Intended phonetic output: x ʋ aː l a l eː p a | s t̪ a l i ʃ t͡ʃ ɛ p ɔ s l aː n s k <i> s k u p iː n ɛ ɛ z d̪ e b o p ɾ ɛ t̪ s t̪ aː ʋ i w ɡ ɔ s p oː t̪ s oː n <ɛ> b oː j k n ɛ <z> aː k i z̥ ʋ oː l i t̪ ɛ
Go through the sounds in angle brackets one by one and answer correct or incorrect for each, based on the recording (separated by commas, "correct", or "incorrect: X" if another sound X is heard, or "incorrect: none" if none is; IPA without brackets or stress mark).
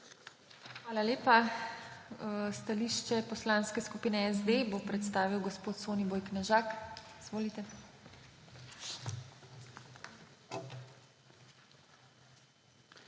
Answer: incorrect: ɛ, incorrect: i, incorrect: ʒ